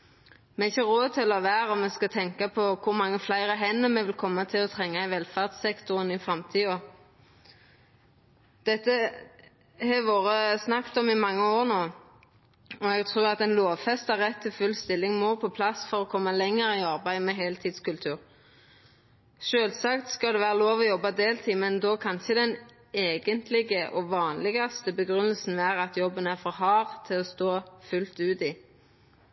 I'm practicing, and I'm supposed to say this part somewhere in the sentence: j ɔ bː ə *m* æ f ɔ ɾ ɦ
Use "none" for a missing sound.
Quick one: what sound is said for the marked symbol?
n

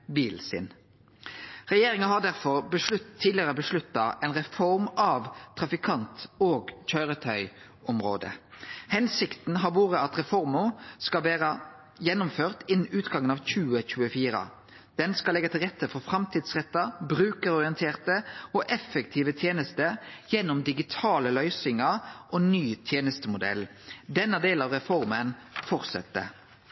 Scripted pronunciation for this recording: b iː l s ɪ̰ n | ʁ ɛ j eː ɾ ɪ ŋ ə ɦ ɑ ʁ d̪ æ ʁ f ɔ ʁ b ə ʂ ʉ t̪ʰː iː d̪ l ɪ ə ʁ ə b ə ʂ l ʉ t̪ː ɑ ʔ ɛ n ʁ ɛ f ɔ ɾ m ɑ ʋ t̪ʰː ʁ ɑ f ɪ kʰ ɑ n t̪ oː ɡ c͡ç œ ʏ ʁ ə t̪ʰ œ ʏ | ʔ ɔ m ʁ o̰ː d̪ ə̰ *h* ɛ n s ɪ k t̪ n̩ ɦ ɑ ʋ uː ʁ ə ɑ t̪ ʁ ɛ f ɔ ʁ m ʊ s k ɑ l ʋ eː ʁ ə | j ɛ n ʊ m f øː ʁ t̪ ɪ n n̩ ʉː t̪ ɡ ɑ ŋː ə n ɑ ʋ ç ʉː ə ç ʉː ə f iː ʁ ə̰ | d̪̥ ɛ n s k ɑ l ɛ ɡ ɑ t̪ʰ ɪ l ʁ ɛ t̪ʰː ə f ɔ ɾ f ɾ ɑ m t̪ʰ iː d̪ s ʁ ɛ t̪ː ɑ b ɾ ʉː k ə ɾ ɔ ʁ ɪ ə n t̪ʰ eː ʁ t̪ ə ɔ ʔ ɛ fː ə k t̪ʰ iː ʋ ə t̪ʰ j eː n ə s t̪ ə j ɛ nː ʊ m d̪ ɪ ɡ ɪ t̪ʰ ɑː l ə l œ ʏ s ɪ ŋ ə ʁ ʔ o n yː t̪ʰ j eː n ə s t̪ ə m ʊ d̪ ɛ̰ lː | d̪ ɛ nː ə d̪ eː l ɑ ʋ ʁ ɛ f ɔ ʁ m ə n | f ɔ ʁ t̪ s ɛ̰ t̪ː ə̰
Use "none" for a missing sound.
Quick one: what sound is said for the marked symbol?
h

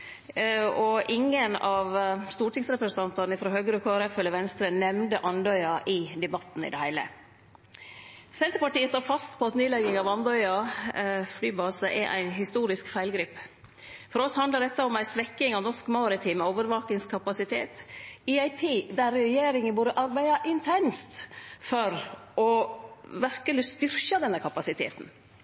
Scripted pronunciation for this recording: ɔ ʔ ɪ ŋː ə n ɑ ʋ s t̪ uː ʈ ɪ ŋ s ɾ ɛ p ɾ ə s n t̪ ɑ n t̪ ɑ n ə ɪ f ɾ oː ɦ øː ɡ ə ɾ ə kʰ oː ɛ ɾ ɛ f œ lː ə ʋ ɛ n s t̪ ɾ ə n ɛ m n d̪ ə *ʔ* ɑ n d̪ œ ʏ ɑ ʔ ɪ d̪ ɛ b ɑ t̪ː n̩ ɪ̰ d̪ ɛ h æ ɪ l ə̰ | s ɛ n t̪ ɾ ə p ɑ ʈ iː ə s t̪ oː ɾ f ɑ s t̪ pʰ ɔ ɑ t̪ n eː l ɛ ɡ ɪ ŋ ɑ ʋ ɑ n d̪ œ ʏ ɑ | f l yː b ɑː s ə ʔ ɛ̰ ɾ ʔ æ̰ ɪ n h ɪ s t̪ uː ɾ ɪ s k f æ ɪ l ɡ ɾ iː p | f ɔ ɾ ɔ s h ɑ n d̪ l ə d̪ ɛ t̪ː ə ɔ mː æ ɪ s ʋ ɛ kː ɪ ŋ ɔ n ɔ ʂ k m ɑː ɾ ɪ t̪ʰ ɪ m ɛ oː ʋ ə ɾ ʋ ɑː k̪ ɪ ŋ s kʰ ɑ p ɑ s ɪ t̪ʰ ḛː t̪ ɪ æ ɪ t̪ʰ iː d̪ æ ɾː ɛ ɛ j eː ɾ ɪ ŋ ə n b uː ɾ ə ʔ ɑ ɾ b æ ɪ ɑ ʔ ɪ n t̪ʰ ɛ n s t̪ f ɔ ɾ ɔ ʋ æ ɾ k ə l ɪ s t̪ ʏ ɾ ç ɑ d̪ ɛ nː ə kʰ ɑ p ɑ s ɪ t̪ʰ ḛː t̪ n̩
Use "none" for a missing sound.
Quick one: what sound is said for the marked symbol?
ʔ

